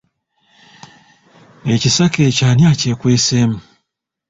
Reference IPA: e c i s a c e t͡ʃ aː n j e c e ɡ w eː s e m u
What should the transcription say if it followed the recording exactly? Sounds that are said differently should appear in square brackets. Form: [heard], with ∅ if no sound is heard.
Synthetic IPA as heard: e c i s a [k] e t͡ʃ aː n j [a] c e [k] w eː s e m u